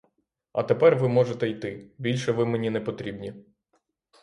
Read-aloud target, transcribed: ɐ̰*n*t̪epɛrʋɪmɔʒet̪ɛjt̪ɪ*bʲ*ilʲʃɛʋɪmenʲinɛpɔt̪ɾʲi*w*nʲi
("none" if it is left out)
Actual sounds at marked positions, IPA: none, bʲ, b

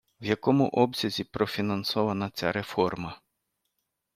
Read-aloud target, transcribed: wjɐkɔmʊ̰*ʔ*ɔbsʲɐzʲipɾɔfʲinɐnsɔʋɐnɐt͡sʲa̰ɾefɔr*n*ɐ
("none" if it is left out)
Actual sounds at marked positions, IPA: ʔ, m

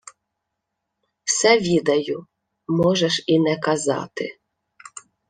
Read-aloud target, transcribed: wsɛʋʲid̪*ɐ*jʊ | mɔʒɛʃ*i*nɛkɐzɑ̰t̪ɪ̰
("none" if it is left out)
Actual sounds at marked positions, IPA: ɐ, i

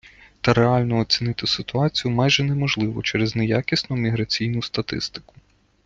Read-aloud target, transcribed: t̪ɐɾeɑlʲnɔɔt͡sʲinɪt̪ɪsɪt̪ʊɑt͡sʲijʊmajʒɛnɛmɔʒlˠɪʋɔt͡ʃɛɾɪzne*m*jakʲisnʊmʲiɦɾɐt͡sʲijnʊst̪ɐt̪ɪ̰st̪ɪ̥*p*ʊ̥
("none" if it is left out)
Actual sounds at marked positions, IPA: none, k

